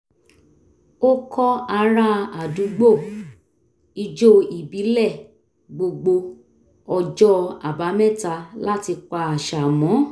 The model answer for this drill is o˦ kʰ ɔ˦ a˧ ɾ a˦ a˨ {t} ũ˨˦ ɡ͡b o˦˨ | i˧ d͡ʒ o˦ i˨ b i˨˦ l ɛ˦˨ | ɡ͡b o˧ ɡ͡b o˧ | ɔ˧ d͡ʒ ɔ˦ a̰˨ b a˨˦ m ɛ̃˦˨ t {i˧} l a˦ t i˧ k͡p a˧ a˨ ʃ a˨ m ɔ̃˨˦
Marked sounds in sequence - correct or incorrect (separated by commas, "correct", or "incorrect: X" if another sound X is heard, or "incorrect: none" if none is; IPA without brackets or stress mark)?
incorrect: d, incorrect: a˧